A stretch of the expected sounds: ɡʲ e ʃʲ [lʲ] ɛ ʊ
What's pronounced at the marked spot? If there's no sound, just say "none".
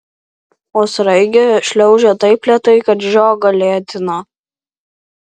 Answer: lʲ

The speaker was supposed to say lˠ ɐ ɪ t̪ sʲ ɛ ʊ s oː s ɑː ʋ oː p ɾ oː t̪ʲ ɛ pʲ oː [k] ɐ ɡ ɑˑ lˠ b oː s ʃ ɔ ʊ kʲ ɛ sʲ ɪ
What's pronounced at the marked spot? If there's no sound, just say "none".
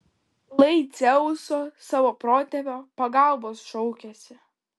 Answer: p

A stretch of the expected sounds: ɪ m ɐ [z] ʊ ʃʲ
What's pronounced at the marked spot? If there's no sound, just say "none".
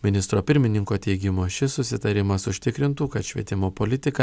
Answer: s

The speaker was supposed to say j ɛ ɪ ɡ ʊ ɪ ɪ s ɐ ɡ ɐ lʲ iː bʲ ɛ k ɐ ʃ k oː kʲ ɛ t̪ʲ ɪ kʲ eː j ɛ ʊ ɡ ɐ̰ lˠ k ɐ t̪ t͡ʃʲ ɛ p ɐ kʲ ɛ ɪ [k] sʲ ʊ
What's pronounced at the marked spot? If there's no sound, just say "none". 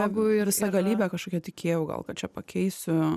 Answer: none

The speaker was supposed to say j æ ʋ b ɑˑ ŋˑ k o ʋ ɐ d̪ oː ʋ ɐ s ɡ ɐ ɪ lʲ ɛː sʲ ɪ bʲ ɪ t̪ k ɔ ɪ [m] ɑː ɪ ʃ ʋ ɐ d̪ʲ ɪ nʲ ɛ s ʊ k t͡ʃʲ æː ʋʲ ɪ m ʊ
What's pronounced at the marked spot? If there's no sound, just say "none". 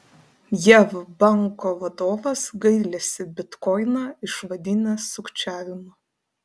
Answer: n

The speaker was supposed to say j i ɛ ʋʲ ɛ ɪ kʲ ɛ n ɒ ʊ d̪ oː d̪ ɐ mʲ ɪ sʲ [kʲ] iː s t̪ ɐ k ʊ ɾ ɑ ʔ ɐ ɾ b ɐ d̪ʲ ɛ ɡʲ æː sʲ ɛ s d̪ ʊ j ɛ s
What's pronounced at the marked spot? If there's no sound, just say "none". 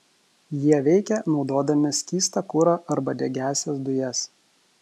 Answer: kʲ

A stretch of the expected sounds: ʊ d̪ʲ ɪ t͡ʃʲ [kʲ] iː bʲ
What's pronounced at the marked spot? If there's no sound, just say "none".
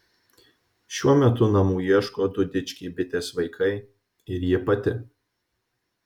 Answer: kʲ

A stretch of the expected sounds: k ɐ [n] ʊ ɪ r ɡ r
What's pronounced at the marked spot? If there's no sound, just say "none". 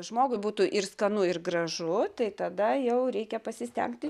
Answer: n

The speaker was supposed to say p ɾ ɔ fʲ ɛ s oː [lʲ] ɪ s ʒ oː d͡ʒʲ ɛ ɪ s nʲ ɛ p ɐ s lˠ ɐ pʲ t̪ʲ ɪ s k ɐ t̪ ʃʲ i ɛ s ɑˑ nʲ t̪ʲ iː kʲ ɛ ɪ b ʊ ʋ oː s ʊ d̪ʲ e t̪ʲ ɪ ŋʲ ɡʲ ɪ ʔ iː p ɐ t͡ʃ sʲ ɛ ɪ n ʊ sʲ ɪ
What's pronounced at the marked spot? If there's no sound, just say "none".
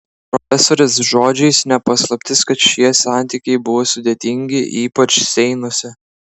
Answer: ɾʲ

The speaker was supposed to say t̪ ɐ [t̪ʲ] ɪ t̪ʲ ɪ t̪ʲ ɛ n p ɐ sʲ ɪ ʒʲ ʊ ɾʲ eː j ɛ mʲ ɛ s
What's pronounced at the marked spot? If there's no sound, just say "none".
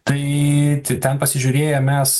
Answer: none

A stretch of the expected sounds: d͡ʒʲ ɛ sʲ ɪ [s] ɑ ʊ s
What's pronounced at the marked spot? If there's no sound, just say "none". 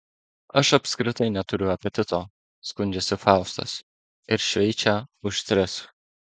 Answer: f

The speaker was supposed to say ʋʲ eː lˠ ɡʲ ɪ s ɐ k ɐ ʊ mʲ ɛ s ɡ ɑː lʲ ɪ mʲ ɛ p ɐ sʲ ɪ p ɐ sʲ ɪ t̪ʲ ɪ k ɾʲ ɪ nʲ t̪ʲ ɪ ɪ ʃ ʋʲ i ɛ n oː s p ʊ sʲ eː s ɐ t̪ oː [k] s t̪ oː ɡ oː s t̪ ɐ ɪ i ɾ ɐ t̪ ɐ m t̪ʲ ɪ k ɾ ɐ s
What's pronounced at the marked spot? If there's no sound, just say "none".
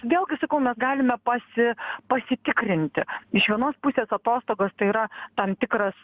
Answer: none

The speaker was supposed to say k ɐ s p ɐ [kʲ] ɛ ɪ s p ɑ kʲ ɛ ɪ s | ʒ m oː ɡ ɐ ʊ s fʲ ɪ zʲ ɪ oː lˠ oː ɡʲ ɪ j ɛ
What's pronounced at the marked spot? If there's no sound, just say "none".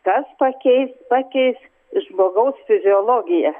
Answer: kʲ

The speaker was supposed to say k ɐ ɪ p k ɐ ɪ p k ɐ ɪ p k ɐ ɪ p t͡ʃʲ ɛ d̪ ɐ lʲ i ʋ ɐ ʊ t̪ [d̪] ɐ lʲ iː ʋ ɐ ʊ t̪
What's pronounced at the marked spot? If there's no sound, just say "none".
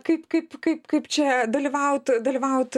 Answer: d̪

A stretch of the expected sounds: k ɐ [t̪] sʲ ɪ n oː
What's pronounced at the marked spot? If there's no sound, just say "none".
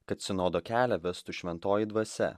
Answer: t̪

